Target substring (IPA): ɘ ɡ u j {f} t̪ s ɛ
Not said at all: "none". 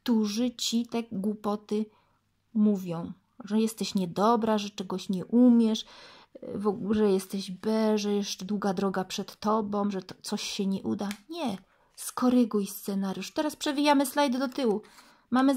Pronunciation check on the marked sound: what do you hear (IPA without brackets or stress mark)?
s